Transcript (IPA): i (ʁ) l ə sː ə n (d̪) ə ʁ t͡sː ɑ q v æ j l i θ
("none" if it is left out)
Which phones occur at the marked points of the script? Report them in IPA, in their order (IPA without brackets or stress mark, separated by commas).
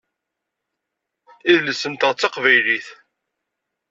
ð, t̪